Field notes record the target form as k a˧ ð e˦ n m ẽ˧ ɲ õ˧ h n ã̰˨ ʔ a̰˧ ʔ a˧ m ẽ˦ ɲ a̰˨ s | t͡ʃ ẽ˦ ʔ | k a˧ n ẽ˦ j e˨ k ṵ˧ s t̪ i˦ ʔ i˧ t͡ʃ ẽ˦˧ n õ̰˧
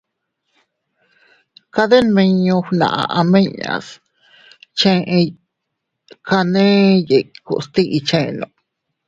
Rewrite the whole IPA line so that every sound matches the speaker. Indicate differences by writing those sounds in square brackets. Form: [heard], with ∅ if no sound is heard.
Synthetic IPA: k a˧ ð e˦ n m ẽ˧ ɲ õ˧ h n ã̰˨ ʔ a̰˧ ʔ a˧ m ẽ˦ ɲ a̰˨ s | t͡ʃ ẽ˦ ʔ | k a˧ n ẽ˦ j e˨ k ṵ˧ s t̪ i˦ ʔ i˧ t͡ʃ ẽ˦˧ n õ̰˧